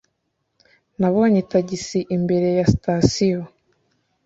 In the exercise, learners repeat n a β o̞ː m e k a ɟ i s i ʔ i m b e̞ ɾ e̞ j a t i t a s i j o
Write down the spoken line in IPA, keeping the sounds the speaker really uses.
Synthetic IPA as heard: n a β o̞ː ɲ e t a ɟ i s i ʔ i m b e̞ ɾ e̞ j a s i t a s i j o